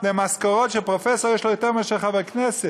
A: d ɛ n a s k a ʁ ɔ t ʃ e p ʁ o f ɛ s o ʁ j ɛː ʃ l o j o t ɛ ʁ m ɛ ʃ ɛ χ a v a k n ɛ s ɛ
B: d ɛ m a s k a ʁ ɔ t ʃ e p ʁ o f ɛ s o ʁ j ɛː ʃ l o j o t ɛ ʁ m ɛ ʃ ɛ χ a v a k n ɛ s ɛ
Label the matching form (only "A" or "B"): B